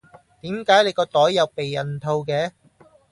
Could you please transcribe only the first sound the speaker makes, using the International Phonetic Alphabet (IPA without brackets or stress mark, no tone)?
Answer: t̪